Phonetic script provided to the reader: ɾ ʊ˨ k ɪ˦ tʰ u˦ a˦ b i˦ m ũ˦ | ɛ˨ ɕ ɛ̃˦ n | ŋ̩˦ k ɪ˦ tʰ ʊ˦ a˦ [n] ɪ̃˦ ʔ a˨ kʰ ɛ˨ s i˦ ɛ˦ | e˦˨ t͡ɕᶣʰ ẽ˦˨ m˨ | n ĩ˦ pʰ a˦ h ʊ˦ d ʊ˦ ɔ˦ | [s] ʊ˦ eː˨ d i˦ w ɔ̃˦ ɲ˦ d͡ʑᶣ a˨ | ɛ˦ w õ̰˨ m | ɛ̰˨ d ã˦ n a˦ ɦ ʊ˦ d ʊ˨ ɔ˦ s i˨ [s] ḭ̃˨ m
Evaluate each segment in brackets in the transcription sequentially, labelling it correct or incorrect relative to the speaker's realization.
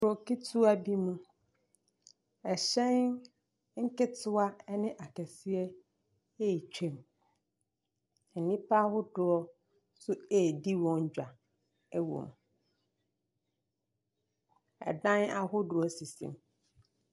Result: correct, correct, correct

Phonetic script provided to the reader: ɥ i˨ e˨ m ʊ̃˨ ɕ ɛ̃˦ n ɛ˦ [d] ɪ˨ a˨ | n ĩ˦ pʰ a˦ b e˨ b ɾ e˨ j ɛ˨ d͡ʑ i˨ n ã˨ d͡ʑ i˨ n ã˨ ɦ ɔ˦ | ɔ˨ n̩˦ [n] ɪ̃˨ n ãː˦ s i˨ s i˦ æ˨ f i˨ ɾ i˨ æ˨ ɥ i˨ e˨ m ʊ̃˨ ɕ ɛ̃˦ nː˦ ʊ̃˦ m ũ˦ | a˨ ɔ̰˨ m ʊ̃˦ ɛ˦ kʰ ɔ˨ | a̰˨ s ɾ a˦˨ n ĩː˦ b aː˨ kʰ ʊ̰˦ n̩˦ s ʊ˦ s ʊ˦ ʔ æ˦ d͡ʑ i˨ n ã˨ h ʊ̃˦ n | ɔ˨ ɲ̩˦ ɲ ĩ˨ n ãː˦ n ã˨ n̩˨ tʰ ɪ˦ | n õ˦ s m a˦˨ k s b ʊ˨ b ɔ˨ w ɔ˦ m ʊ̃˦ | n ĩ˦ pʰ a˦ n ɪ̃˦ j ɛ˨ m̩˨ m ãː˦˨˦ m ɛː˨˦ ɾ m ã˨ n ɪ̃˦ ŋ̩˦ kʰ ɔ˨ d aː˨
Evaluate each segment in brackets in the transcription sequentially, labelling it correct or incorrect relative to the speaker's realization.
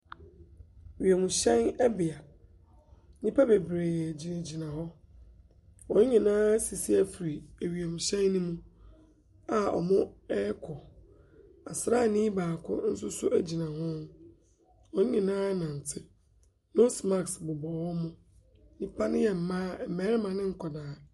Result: incorrect: b, incorrect: ɲ

